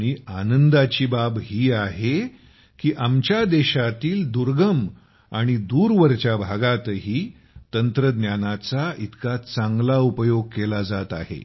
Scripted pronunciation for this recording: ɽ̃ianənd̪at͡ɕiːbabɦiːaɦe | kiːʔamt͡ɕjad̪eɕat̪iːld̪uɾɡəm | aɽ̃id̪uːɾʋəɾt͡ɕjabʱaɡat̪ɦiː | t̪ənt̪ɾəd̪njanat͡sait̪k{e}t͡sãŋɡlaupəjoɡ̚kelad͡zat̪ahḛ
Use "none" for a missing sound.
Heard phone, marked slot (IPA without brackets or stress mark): a